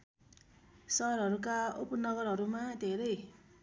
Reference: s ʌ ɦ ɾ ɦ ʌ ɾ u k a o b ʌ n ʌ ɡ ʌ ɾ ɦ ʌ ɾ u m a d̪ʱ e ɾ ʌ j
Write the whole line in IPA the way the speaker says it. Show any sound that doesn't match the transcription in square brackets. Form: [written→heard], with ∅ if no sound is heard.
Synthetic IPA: s ʌ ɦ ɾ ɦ ʌ ɾ u k a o [b→p] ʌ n ʌ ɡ ʌ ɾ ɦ ʌ ɾ u m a d̪ʱ e ɾ ʌ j